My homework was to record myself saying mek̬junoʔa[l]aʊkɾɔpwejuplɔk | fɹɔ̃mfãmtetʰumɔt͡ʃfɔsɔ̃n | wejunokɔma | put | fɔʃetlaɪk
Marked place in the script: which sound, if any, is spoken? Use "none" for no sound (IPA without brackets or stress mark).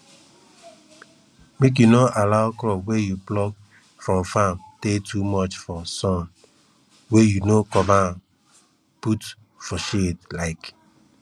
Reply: l